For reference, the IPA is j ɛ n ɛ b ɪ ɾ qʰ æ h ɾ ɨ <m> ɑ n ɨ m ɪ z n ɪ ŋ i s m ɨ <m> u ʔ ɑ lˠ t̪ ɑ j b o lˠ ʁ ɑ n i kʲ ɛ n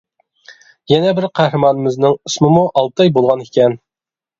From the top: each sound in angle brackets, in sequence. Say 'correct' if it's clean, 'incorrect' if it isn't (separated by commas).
correct, correct